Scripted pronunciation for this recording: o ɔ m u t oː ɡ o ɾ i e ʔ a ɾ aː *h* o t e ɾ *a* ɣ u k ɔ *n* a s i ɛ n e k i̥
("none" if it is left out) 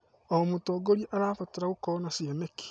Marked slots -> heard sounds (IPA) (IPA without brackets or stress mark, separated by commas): f, a, n